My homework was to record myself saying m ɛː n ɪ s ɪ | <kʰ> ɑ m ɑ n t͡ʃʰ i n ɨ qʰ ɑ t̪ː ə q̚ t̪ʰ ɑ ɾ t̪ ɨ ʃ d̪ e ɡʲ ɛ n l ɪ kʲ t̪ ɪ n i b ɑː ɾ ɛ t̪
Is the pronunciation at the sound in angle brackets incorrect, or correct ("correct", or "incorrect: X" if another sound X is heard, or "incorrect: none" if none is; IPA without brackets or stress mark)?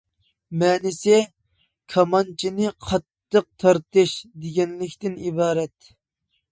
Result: correct